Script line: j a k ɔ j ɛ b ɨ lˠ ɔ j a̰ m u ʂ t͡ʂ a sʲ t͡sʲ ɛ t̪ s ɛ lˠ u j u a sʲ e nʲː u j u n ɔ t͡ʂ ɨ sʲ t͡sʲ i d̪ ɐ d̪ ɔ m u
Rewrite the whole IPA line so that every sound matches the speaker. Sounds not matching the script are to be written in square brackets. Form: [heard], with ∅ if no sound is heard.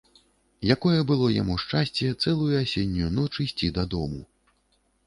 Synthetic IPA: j a k ɔ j ɛ b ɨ lˠ ɔ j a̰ m u ʂ t͡ʂ a sʲ t͡sʲ ɛ t̪ s ɛ lˠ u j u a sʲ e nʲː u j u n ɔ t͡ʂ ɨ sʲ t͡sʲ i d̪ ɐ d̪ ɔ m u